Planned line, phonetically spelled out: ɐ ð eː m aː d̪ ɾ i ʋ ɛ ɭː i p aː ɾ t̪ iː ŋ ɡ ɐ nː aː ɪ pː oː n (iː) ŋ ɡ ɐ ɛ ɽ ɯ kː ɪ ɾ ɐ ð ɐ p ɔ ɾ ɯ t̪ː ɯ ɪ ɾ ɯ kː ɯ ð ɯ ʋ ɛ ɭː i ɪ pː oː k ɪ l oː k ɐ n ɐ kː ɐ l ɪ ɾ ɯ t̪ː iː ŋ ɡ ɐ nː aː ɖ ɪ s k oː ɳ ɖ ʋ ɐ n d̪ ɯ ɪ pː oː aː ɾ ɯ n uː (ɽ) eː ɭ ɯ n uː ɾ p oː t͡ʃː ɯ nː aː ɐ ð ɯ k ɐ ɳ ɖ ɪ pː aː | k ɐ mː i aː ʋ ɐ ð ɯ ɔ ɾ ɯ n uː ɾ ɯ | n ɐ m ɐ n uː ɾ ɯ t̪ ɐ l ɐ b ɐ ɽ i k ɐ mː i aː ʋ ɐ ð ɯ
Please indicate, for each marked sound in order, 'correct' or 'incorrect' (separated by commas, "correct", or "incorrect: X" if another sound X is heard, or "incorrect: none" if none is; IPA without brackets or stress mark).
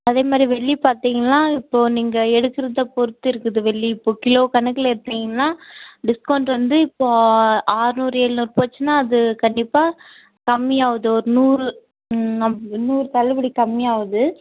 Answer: correct, incorrect: ɾ